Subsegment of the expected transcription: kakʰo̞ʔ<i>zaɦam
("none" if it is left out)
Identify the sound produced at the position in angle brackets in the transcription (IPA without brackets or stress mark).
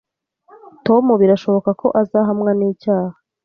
a